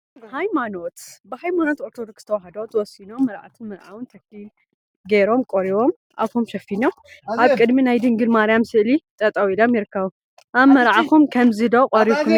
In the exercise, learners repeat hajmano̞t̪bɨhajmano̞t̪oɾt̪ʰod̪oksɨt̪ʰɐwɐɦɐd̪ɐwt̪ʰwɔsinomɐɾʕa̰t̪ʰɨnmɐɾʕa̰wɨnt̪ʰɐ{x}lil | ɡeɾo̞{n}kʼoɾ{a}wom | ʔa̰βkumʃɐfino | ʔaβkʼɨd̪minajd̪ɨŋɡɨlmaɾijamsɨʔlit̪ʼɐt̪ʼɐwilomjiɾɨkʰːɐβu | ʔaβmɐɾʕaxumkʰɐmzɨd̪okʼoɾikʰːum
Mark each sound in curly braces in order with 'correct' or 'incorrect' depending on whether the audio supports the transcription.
incorrect: k, incorrect: m, incorrect: i

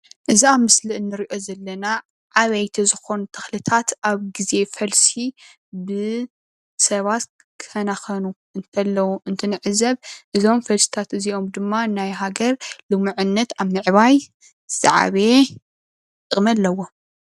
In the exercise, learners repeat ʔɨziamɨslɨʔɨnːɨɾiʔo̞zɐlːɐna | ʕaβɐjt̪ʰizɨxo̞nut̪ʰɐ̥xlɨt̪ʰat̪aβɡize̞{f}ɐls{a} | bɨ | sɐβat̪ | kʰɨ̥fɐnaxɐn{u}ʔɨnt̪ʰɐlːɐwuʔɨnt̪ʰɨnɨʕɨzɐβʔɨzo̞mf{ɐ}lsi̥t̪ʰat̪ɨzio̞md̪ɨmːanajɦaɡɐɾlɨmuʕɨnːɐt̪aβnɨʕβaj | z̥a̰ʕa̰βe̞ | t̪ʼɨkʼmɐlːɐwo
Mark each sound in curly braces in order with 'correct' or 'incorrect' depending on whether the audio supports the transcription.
correct, incorrect: i, correct, correct

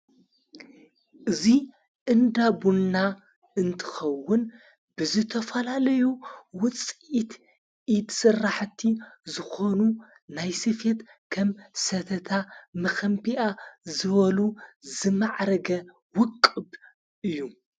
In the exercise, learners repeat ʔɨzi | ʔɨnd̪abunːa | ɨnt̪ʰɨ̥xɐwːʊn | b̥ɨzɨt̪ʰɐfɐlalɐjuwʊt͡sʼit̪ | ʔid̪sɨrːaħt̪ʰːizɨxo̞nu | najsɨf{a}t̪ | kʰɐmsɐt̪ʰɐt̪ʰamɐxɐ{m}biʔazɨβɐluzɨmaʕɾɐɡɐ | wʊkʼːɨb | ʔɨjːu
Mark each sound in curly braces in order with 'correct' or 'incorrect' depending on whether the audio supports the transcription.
incorrect: e, correct

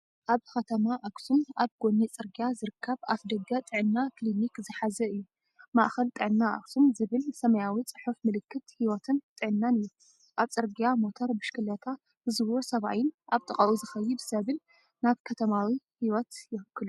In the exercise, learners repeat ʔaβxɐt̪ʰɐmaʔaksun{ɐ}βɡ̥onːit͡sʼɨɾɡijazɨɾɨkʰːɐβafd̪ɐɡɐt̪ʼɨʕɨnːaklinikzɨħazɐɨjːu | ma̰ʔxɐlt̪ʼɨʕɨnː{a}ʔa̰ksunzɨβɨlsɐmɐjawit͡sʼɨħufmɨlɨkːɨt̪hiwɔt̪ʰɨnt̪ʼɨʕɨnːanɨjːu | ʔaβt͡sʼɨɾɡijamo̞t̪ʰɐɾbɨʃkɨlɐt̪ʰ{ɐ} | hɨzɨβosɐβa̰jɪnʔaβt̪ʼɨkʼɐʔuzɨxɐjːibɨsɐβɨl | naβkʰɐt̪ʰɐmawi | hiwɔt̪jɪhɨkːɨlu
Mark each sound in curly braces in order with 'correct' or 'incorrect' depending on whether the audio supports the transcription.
incorrect: a, correct, incorrect: a

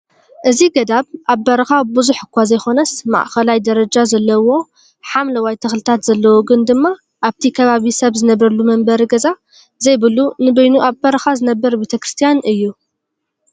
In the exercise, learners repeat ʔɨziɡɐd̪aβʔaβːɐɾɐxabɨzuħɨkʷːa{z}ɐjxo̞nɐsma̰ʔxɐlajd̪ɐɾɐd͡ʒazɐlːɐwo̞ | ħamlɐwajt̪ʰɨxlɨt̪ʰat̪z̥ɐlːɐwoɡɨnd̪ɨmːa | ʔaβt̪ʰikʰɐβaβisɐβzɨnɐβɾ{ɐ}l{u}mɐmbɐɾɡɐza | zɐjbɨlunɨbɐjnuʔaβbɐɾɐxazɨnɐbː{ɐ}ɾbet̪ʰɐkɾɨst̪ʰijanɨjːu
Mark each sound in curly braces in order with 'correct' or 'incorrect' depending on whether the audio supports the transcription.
correct, correct, correct, correct

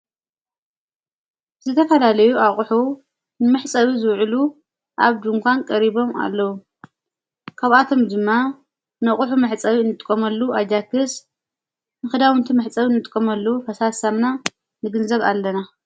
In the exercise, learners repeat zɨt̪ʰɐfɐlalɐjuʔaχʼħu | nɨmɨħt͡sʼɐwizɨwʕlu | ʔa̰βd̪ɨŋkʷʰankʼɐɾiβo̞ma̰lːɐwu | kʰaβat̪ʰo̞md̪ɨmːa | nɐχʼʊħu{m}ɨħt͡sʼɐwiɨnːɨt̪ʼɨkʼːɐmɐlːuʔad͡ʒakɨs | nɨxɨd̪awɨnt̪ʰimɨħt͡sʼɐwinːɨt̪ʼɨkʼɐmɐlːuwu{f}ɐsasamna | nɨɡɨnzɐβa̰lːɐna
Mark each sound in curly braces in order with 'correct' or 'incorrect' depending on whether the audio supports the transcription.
correct, correct

